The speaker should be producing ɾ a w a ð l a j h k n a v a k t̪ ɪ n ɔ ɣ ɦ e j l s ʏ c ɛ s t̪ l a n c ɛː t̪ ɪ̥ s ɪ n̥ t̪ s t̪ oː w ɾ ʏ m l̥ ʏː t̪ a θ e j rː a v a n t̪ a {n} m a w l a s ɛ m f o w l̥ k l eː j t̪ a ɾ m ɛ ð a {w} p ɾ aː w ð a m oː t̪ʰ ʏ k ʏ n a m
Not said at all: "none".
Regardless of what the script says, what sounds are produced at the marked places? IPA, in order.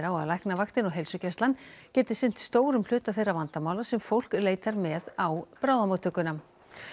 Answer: none, w

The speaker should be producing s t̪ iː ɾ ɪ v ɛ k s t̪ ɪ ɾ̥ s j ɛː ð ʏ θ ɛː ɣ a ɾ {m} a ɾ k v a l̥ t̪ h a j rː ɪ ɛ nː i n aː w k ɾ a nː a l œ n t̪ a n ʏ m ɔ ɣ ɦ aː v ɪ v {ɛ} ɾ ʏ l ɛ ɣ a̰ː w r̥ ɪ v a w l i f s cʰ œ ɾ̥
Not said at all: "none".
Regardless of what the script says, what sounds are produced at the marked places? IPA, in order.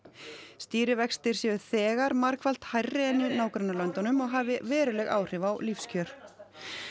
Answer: m, ɛː

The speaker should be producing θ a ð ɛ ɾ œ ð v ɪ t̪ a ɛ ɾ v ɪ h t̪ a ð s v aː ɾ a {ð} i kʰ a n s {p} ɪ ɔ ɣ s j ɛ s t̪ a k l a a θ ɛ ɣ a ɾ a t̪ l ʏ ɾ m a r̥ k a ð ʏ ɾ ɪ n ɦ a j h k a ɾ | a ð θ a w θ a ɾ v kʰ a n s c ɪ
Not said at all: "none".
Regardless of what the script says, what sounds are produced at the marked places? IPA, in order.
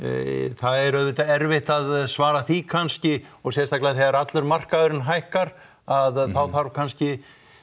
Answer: θ, c

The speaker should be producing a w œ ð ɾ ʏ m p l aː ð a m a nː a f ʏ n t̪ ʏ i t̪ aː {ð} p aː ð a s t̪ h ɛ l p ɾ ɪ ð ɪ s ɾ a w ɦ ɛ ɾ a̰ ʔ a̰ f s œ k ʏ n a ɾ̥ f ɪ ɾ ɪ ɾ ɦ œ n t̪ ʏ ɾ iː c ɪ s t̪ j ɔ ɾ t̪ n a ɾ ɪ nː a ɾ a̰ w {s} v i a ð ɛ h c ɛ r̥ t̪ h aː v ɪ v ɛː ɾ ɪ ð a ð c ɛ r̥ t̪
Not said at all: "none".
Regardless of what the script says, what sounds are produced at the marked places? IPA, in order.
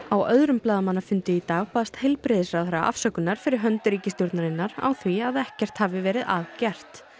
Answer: ɣ, θ

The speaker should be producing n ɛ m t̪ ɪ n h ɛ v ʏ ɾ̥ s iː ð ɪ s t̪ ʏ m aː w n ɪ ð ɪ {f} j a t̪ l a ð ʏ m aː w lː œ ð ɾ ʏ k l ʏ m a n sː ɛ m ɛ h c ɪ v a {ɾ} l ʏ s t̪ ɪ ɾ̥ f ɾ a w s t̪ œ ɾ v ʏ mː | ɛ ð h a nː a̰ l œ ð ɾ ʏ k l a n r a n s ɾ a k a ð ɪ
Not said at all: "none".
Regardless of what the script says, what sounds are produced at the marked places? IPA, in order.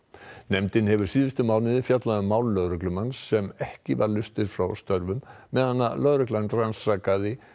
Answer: f, ɾ

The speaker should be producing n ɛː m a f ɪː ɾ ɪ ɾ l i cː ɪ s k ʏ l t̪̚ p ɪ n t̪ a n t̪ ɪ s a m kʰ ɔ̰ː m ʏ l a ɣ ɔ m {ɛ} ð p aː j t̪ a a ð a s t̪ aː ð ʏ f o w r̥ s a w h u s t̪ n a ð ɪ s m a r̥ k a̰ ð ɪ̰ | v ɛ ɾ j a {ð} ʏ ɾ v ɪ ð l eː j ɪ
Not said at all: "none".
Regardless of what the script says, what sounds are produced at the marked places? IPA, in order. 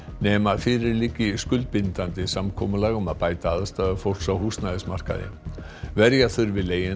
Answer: a, θ

